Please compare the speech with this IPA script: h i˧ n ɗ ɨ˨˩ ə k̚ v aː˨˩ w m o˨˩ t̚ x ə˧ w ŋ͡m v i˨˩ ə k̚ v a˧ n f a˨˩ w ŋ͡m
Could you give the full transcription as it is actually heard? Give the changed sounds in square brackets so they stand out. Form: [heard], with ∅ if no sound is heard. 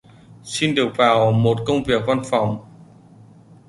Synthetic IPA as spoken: [s] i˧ n ɗ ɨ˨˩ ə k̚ v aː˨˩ w m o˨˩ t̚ [k] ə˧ w ŋ͡m v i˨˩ ə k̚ v a˧ n f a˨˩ w ŋ͡m